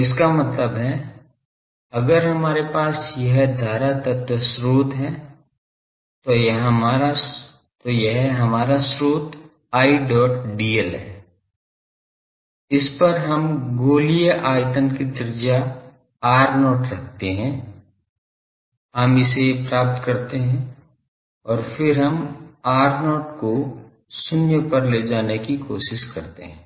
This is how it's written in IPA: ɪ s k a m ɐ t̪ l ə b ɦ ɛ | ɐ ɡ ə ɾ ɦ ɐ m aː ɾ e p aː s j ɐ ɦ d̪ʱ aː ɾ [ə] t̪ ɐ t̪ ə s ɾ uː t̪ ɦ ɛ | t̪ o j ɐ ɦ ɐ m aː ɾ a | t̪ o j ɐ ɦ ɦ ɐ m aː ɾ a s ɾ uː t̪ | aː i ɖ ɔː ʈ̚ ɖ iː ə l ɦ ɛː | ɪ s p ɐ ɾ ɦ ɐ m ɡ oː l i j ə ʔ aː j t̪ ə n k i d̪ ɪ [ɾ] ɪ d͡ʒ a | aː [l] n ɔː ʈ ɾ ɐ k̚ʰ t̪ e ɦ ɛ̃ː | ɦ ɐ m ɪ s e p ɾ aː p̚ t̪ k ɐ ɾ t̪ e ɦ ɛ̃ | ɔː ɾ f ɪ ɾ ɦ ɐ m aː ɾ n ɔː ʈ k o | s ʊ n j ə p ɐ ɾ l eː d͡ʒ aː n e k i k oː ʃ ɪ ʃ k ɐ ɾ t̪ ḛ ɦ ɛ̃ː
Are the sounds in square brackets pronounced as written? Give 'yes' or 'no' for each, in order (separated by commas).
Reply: no, yes, no